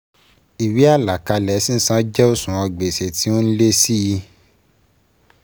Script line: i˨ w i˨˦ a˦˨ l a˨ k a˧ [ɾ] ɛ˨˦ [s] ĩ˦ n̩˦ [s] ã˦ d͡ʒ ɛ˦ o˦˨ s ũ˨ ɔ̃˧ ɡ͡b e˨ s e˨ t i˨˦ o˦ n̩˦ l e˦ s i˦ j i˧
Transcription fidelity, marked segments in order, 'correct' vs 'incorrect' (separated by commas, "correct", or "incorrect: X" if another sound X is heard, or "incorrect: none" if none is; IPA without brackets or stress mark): incorrect: l, correct, correct